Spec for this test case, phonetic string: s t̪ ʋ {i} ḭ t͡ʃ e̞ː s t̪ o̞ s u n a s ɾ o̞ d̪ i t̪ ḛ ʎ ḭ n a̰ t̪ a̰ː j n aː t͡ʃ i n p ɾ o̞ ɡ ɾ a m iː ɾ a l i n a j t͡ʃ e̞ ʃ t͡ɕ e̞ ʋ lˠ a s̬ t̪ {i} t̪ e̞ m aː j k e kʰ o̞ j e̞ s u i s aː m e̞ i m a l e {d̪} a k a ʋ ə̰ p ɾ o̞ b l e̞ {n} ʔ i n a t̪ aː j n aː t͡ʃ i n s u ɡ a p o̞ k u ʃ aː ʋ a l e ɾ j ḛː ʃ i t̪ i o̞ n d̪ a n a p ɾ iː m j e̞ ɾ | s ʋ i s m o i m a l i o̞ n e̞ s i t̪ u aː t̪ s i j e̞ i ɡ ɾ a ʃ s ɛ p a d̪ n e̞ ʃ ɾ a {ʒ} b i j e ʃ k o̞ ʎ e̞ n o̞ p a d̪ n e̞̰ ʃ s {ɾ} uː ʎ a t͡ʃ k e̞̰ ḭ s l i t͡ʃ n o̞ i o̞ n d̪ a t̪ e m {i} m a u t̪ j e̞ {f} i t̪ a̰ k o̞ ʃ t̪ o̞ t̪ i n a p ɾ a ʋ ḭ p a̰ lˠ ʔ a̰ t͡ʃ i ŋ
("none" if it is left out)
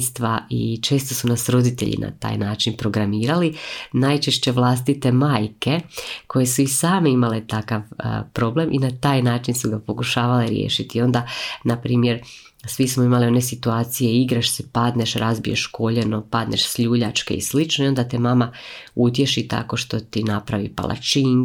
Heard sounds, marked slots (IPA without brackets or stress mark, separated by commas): a, i, t̪, m, z, ʎ, a, ʃ